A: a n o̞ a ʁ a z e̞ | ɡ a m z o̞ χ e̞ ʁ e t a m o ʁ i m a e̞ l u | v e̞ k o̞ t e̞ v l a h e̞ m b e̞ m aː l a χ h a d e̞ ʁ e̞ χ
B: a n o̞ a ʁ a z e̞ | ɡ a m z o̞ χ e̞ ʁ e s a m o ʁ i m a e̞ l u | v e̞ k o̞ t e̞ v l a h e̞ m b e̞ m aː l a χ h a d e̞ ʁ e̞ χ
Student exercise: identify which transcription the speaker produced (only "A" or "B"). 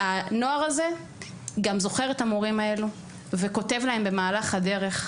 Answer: A